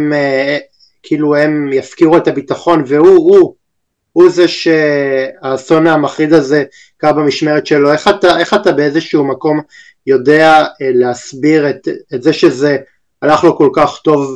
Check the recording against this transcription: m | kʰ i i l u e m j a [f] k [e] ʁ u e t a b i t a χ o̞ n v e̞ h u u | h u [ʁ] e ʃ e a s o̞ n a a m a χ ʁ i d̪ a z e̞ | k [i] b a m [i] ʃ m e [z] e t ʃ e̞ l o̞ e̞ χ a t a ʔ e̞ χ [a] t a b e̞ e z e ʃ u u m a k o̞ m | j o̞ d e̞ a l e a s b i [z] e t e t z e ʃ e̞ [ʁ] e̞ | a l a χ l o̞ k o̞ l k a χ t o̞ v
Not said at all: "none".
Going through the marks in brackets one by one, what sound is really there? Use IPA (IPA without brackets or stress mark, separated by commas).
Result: f, i, z, a, i, ʁ, a, ʁ, z